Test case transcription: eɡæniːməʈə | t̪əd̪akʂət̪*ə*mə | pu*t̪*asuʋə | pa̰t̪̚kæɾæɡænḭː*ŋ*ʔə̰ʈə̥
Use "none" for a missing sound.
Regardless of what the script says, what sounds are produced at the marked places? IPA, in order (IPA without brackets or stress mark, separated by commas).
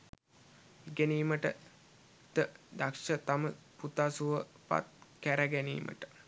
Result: a, t̪, m